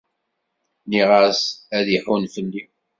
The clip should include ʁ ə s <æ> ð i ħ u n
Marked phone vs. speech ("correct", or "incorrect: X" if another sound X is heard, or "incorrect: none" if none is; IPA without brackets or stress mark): correct